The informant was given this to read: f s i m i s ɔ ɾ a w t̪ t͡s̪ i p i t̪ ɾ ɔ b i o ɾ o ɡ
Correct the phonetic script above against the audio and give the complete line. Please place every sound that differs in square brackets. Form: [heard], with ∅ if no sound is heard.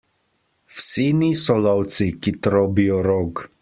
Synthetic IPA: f s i [n] i s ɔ [l] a w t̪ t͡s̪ i [k] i t̪ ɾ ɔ b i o ɾ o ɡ